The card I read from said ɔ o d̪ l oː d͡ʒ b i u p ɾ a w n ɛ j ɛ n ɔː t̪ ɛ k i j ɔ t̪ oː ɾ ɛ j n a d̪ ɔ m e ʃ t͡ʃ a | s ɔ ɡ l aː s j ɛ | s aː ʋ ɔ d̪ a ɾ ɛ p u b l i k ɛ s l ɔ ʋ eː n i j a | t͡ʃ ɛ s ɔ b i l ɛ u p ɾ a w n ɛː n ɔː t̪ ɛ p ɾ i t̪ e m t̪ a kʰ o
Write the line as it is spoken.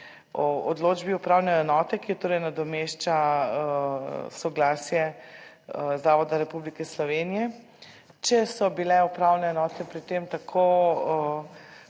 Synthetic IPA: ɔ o d̪ l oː d͡ʒ b i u p ɾ a w n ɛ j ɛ n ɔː t̪ ɛ k i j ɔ t̪ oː ɾ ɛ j n a d̪ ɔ m e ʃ t͡ʃ a | s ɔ ɡ l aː s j ɛ | z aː ʋ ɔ d̪ a ɾ ɛ p u b l i k ɛ s l ɔ ʋ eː n i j ɛ | t͡ʃ ɛ s ɔ b i l ɛ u p ɾ a w n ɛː n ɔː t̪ ɛ p ɾ i t̪ e m t̪ a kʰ o